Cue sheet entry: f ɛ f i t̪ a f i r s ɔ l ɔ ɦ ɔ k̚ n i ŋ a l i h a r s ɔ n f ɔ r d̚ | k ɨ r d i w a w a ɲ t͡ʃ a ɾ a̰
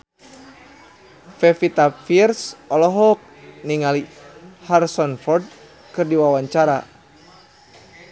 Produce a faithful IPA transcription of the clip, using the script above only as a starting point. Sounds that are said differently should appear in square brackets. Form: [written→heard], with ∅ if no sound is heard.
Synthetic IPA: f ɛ f i t̪ a f i r s ɔ l ɔ ɦ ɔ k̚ n i ŋ a l i h a r s ɔ n f ɔ r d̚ | k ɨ r d i w a w a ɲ t͡ʃ a ɾ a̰